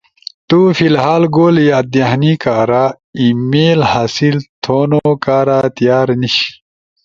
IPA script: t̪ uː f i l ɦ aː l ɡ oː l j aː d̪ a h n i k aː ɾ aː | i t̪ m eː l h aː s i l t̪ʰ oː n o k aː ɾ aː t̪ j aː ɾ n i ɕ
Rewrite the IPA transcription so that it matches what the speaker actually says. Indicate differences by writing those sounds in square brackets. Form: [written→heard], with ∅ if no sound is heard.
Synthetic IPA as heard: t̪ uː f i l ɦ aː l ɡ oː l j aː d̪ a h n i k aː ɾ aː | i [t̪→∅] m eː l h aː s i l t̪ʰ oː n o k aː ɾ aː t̪ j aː ɾ n i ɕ